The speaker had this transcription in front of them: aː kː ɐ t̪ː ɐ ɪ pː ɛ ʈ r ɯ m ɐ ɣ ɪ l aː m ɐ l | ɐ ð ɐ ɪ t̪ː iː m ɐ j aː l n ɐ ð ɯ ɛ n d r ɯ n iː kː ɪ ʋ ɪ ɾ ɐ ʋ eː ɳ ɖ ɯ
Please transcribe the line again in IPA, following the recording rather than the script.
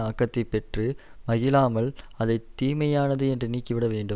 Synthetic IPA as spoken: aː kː ɐ t̪ː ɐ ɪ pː ɛ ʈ r ɯ m ɐ ɣ ɪ l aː m ɐ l | ɐ ð ɐ ɪ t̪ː iː m ɐ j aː n ɐ ð ɯ ɛ n d r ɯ n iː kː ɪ ʋ ɪ ɽ ɐ ʋ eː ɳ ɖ ɯ

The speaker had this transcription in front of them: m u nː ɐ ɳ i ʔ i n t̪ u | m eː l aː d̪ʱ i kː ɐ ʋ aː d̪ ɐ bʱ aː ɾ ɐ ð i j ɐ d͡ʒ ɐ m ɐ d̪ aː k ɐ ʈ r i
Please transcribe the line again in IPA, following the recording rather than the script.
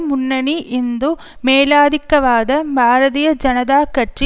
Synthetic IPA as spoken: m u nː ɐ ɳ i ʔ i n d̪ u | m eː l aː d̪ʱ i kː ɐ ʋ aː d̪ ɐ bʱ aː ɾ ɐ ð i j ɐ d͡ʒ ɐ n ɐ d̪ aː k ɐ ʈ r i

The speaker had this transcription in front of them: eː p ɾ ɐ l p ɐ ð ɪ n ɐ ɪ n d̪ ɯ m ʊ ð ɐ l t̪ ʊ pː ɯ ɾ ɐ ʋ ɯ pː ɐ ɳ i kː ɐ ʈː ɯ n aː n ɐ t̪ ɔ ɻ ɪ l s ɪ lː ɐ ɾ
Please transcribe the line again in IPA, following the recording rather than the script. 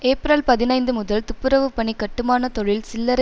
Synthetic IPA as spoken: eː p ɾ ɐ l p ɐ ð ɪ n ɐ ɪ n d̪ ɯ m ʊ ð ɐ l t̪ ʊ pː ɯ ɾ ɐ ʋ ɯ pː ɐ ɳ i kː ɐ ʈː ɯ m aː n ɐ t̪ ɔ ɻ ɪ l s ɪ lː ɐ ɾ

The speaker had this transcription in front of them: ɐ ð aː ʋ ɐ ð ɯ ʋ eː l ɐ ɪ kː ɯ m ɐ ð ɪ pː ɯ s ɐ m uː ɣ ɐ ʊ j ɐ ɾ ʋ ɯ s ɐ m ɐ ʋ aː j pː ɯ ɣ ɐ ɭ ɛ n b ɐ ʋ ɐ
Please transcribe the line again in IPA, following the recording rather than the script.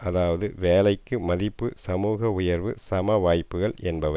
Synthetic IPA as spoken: ɐ ð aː ʋ ɐ ð ɯ ʋ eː l ɐ ɪ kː ɯ m ɐ ð ɪ pː ɯ s ɐ m uː ɣ ɐ ʊ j ɐ ɾ ʋ ɯ s ɐ m ɐ ʋ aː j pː ɯ ɣ ɐ ɭ ɛ n b ɐ ʋ ɐ

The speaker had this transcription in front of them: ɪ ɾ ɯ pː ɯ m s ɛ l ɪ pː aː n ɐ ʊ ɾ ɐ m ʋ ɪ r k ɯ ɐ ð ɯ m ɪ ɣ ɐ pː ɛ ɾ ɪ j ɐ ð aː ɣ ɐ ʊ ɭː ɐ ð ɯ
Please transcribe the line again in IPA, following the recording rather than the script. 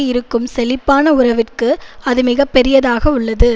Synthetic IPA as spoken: ɪ ɾ ɯ kː ɯ m s ɛ l ɪ pː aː n ɐ ʊ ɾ ɐ ʋ ɪ r k ɯ ɐ ð ɯ m ɪ ɣ ɐ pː ɛ ɾ ɪ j ɐ ð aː ɣ ɐ ʊ ɭː ɐ ð ɯ

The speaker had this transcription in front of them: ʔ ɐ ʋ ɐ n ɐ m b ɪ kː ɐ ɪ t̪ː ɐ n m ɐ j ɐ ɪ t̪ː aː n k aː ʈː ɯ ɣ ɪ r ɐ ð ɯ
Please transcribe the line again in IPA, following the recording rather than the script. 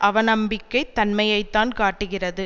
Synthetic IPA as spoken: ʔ ɐ ʋ ɐ n ɐ m b ɪ kː ɐ ɪ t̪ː ɐ n m ɐ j ɐ ɪ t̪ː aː n k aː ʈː ɯ ɣ ɪ r ɐ ð ɯ

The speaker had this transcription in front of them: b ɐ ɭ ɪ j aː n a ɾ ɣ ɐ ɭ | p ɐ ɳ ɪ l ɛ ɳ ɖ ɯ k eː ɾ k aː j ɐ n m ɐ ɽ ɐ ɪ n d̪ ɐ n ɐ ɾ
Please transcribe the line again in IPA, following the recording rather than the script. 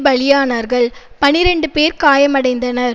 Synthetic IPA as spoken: b ɐ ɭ ɪ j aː n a ɾ ɣ ɐ ɭ | p ɐ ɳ ɪ ɾ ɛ ɳ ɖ ɯ p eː ɾ k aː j ɐ m ɐ ɽ ɐ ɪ n d̪ ɐ n ɐ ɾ

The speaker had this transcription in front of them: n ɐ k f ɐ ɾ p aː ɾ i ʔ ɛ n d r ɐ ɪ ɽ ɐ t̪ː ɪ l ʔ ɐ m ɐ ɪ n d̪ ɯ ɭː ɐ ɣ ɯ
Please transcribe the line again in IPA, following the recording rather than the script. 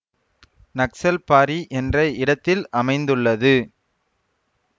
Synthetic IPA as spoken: n ɐ k s ɐ l p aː ɾ i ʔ ɛ n d r ɐ ɪ ɽ ɐ t̪ː ɪ l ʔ ɐ m ɐ ɪ n d̪ ɯ ɭː ɐ ð ɯ

